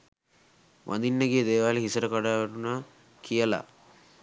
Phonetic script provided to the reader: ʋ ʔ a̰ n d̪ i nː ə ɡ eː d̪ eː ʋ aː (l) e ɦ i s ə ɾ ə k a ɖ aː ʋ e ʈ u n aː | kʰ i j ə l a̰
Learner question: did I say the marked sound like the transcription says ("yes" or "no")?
yes